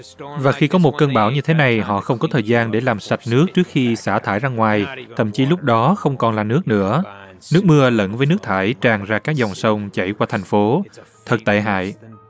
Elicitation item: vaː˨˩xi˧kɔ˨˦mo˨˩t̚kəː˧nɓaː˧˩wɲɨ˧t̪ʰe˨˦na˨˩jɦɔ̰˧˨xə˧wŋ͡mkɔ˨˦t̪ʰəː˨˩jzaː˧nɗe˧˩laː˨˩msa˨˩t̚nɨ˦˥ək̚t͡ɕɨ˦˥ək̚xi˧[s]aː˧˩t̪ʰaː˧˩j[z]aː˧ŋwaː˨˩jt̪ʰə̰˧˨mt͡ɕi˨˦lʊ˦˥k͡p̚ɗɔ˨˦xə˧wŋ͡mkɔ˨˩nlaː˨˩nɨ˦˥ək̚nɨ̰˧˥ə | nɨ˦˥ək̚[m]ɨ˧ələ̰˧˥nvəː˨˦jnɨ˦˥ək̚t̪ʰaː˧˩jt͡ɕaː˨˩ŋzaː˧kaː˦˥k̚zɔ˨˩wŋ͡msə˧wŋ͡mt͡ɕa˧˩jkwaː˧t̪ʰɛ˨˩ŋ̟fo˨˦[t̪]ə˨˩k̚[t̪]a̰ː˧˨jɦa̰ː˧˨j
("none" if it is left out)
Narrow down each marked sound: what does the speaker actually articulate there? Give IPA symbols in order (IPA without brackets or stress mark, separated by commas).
s, z, m, t̪ʰ, t̪